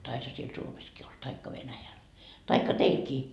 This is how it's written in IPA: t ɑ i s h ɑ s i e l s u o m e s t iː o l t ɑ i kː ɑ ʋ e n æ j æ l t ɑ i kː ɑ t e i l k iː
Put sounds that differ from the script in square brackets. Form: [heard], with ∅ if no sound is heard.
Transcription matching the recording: t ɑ i s h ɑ s i e l s u o m e s [k] iː o l t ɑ i kː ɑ ʋ e n æ j æ l t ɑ i kː ɑ t e i l k iː

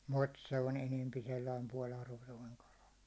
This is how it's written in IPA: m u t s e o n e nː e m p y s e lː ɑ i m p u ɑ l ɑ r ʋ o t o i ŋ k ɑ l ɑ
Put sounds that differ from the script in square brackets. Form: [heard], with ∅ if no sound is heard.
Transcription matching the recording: m u t s e o n e [n] e m p [i] s e lː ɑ i m p u [ɒ] l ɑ r ʋ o t o i ŋ k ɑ l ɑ

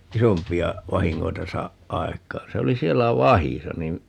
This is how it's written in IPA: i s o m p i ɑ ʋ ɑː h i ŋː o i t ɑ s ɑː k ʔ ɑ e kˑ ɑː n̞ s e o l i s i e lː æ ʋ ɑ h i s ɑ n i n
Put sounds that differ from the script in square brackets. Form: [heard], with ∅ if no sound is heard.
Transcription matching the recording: i s o m p i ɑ ʋ [ɑ] h i ŋː o i t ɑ s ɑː [ʔ] ʔ ɑ e kˑ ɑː n̞ s e o l i s i e lː æ ʋ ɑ h i s ɑ n i n

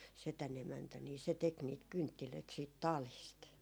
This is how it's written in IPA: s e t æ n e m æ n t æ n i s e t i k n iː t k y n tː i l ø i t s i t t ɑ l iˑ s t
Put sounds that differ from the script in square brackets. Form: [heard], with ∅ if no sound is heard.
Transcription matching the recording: s e t æ n e m æ n t æ n [iː] s e t [e] k n iː t k y n tː i l ø i t s [iː] t t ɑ l iˑ s t

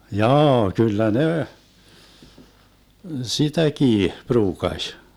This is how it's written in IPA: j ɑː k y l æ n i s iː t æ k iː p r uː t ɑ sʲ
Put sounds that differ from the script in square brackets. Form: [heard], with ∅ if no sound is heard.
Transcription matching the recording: j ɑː k y [lː] æ n [e] s [i] t æ k iː p r uː [k] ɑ sʲ

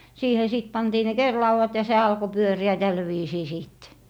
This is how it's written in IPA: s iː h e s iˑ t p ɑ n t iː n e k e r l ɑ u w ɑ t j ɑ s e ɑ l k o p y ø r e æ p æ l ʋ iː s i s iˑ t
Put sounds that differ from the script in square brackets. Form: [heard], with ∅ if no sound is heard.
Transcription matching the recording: s iː h e s iˑ t p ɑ n t iː n e k e r l ɑ u w ɑ t j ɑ s e ɑ l k o p y ø r [i] æ [t] æ l ʋ iː s [iː] s iˑ t

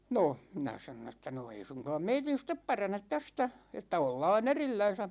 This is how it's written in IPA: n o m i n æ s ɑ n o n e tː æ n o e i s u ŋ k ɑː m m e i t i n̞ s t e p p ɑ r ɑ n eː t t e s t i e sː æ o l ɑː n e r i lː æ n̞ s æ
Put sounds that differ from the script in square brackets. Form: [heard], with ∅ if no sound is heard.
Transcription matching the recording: n o m i n æ s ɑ n o n e tː æ n o e i s u ŋ k ɑː m m e i t i n̞ s t e p p ɑ r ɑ n [e] t t [æ] s t [æ] e [tː] æ o [lː] ɑː n e r i lː æ n̞ s æ

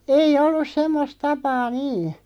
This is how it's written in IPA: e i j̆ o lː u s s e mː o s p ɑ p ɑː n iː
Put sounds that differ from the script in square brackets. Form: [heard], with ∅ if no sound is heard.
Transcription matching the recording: e i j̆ o lː u s s e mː o s [t] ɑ p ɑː n iː

